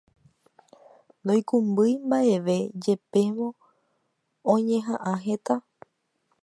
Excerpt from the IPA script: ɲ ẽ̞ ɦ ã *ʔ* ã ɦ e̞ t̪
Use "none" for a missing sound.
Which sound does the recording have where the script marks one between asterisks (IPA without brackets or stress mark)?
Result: ʔ